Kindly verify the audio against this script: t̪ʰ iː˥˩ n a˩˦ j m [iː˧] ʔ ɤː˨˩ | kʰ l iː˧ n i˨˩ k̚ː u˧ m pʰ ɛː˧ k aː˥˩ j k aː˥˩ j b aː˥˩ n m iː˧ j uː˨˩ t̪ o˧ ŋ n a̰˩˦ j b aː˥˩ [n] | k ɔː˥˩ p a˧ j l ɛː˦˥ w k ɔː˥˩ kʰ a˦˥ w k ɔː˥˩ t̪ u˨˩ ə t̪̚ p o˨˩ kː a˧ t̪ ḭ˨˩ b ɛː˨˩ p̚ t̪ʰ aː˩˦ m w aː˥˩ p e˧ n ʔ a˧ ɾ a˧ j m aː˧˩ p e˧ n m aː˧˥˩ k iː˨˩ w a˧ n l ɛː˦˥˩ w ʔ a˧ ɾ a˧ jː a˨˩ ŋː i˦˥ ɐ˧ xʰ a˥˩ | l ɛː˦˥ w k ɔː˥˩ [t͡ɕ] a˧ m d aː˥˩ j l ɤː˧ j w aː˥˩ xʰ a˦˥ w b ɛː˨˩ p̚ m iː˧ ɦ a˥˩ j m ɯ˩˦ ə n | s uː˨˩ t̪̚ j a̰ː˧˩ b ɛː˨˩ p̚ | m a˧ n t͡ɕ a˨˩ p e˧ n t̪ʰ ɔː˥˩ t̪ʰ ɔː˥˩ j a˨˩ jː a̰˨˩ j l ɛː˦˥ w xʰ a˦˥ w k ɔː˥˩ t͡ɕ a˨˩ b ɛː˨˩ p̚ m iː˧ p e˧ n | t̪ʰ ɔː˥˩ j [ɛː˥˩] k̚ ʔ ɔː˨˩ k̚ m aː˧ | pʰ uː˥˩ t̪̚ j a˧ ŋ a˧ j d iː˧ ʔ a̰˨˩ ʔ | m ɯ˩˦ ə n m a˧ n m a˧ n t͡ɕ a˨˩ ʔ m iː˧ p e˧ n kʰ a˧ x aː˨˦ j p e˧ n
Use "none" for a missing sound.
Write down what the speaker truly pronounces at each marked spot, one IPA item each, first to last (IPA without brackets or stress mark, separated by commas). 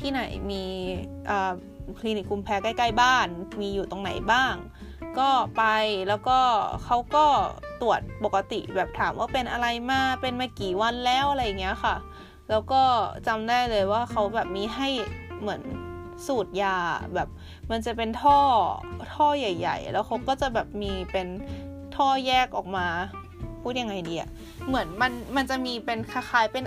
iː˧, ŋ, t͡ɕ, ɛː˥˩